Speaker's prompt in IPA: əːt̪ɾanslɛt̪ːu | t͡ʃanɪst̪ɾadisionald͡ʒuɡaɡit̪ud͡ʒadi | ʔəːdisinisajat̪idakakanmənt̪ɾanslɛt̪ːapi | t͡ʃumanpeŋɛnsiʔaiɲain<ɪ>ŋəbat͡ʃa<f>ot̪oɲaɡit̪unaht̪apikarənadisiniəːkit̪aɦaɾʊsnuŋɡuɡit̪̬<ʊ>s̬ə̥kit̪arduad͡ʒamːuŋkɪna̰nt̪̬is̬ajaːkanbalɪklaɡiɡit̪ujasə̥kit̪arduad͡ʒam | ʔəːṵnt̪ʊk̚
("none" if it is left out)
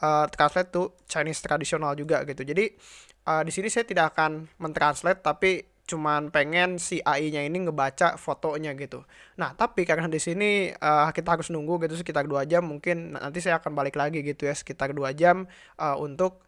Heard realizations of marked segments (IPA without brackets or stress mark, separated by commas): i, f, u